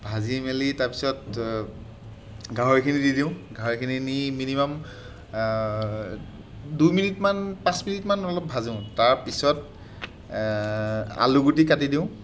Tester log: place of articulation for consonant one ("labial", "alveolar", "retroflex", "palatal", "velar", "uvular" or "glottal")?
labial